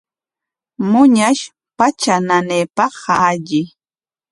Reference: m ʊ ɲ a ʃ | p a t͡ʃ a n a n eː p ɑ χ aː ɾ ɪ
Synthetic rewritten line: m ʊ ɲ a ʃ | p a t͡ʃ a n a n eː p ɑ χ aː ʎ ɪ